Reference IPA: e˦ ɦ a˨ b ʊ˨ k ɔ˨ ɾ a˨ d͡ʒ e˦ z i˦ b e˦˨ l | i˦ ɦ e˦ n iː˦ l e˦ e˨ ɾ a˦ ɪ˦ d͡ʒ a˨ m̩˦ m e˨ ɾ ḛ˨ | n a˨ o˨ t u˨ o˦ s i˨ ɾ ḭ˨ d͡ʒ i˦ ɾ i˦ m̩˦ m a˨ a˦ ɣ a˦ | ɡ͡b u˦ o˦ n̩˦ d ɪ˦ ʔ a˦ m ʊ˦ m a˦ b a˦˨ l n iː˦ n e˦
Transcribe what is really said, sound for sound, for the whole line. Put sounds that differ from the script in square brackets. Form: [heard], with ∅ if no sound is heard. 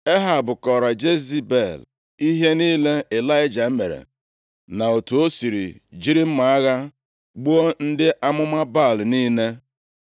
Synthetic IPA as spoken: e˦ ɦ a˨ b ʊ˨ k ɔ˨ ɾ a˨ d͡ʒ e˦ z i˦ b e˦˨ l | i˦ ɦ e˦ n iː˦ l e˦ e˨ [l] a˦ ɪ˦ d͡ʒ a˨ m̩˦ m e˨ ɾ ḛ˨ | n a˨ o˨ t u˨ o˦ s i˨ ɾ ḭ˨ d͡ʒ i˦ ɾ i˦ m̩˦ m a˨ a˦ ɣ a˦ | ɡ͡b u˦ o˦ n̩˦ d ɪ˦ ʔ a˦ m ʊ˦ m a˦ b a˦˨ l n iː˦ n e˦